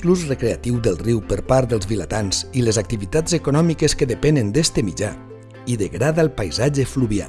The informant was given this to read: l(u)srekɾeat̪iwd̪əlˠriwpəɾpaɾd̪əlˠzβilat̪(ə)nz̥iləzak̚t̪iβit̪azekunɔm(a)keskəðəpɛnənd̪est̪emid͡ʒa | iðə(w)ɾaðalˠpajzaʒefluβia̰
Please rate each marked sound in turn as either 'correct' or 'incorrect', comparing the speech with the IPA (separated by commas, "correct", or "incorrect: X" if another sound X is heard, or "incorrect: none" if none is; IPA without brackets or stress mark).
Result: correct, incorrect: a, incorrect: i, incorrect: ɣ